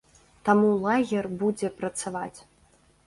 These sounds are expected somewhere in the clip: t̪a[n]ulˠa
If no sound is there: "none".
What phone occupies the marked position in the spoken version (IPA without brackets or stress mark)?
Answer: m